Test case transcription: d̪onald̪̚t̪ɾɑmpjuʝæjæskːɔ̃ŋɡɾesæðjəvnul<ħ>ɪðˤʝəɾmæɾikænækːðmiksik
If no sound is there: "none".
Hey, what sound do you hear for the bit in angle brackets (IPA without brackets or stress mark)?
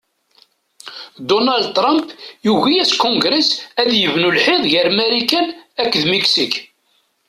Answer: ħ